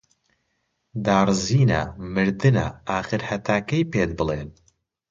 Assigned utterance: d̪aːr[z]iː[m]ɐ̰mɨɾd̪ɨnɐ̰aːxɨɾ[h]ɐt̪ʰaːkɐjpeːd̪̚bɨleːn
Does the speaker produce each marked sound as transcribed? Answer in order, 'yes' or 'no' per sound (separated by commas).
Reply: yes, no, yes